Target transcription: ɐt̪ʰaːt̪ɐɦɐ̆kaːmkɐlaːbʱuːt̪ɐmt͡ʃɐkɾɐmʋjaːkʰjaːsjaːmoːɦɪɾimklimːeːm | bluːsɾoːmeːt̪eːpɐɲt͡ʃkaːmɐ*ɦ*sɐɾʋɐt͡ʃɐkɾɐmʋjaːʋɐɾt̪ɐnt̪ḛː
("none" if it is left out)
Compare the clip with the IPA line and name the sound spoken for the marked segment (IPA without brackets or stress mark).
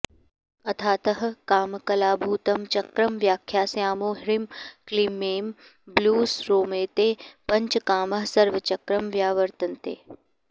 ɦ